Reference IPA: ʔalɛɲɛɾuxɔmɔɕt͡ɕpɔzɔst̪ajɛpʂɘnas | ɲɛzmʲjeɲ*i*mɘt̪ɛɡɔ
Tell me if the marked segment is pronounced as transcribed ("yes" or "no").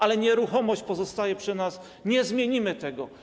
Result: yes